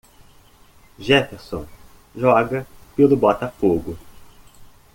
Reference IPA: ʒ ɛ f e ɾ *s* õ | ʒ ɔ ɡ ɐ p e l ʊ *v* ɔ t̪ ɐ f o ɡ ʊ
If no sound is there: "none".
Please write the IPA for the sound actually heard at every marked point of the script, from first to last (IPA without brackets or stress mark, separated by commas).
s, b